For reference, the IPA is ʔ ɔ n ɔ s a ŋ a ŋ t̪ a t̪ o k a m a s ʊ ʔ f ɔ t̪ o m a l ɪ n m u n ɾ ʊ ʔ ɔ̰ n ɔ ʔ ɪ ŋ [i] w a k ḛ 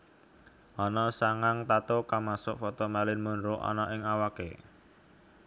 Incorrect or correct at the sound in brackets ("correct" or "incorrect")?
incorrect